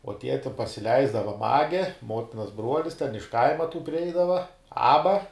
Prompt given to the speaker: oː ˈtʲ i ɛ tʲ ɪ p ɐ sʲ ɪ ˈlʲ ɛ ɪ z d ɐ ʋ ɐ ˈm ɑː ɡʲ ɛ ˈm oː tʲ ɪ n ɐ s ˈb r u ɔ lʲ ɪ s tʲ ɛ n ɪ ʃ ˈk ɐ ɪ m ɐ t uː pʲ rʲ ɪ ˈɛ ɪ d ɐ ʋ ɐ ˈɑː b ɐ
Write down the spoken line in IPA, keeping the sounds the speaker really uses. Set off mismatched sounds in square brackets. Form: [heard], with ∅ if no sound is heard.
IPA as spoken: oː ˈtʲ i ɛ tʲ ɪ p ɐ sʲ ɪ ˈlʲ ɛ ɪ z d ɐ ʋ ɐ ˈm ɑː ɡʲ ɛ ˈm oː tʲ ɪ n ɐ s ˈb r u ɔ lʲ ɪ s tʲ ɛ n ɪ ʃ ˈk ɐ ɪ m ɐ t uː pʲ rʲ ɪ ˈɛ ɪ d ɐ ʋ ɐ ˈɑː b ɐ